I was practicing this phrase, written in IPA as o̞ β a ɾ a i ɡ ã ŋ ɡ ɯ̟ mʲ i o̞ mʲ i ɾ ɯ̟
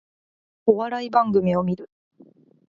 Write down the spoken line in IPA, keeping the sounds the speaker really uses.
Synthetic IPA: o̞ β a ɾ a i b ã ŋ ɡ ɯ̟ mʲ i o̞ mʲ i ɾ ɯ̟